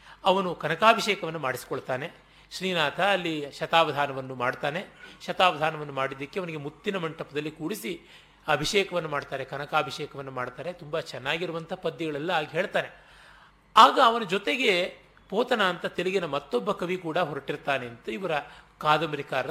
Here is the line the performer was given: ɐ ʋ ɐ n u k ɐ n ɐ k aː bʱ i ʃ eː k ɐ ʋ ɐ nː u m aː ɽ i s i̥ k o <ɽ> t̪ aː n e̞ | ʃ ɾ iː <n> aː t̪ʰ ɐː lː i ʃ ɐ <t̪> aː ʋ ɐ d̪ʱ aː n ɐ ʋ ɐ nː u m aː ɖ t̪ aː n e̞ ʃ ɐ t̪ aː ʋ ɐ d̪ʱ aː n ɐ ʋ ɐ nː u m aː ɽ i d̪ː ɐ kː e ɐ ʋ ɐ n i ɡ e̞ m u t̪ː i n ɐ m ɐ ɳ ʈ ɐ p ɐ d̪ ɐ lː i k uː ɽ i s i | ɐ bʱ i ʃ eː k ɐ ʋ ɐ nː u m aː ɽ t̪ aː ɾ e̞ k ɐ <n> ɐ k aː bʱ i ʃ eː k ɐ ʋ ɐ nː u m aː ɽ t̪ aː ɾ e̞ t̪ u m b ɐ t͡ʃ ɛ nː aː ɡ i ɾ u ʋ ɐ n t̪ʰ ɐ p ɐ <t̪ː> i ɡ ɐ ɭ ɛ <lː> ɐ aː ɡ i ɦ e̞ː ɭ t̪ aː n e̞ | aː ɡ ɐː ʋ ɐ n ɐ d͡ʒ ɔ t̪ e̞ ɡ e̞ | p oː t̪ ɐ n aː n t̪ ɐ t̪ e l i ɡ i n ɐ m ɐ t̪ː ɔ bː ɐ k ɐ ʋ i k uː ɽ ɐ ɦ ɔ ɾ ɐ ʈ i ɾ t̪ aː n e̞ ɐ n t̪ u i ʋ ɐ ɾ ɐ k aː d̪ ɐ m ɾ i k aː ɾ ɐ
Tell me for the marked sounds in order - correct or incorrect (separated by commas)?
incorrect, correct, correct, correct, incorrect, correct